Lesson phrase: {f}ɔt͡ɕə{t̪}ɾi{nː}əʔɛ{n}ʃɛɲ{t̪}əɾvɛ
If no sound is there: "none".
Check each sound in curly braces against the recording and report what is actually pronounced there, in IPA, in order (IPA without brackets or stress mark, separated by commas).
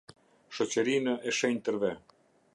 ʃ, none, n, none, t̪